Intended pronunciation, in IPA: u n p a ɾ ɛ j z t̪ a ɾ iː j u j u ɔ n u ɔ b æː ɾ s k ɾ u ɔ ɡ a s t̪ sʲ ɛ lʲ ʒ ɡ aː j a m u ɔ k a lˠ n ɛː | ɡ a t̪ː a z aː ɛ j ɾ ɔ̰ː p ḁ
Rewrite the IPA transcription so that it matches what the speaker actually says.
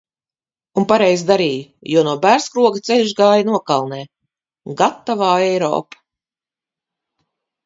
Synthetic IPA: u n p a ɾ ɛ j z d̪ a ɾ iː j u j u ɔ n u ɔ b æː ɾ s k ɾ u ɔ ɡ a t̪ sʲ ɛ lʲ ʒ ɡ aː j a n u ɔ k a lˠ n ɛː | ɡ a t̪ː a v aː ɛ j ɾ ɔ̰ː p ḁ